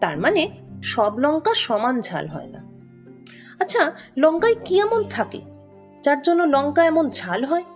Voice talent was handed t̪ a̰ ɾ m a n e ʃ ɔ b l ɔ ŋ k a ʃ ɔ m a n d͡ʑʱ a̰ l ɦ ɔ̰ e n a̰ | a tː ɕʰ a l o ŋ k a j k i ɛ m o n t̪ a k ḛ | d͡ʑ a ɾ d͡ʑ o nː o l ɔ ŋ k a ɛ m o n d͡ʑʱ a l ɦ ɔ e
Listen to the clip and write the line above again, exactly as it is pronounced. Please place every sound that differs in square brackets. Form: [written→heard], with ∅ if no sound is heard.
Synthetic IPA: t̪ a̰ ɾ m a n e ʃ ɔ b l ɔ ŋ k a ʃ ɔ m a n d͡ʑʱ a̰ l ɦ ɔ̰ e n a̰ | a tː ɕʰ a l [o→ɔ] ŋ k a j k i ɛ m o n [t̪→t̪ʰ] a k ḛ | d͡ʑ a ɾ d͡ʑ o nː o l ɔ ŋ k a ɛ m o n d͡ʑʱ a l ɦ ɔ e